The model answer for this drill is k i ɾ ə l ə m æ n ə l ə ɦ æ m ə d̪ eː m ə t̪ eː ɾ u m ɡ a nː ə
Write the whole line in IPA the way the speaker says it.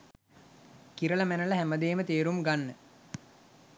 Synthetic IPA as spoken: k i ɾ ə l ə m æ n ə l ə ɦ æ m ə d̪ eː m ə t̪ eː ɾ u m ɡ a nː ə